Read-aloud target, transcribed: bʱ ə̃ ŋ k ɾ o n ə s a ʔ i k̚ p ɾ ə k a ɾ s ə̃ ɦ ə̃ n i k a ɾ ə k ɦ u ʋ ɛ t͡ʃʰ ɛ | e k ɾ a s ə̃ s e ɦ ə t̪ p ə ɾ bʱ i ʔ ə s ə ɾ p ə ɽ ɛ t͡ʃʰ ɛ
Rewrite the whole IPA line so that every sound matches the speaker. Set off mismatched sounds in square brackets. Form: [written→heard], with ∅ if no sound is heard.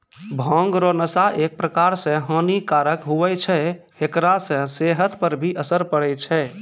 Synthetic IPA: bʱ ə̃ ŋ [k→ɡ] ɾ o n ə s a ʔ [i→e] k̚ p ɾ ə k a ɾ s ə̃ ɦ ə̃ n i k a ɾ ə k ɦ u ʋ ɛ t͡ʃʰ ɛ | e k ɾ a s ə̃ s e ɦ ə t̪ p ə ɾ bʱ i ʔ ə s ə ɾ p ə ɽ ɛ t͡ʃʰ ɛ